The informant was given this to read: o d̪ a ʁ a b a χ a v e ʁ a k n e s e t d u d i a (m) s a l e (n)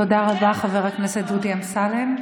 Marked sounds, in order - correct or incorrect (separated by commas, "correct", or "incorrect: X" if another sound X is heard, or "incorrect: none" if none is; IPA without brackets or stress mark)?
correct, incorrect: m